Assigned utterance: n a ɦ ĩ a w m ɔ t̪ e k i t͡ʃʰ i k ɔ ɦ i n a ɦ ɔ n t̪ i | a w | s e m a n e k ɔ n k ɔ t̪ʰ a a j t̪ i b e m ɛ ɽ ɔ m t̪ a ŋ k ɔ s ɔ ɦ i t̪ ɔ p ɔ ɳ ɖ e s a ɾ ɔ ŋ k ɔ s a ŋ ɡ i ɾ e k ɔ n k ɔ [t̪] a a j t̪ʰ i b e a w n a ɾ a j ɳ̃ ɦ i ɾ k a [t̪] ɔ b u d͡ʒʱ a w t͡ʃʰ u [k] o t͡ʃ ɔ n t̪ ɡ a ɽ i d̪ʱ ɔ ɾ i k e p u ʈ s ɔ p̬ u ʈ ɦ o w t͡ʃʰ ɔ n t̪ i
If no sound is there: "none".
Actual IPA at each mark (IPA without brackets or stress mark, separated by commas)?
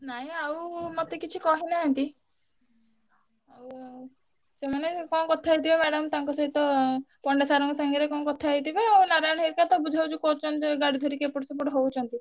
t̪ʰ, t̪, k